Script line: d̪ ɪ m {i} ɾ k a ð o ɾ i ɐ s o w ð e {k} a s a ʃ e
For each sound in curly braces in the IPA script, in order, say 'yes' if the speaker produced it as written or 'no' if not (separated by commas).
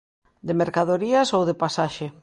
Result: no, no